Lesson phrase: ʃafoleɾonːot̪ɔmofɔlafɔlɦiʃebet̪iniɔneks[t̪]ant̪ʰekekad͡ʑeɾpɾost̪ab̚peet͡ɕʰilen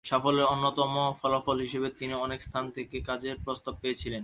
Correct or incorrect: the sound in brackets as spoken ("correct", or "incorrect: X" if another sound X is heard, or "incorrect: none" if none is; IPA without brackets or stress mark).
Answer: incorrect: t̪ʰ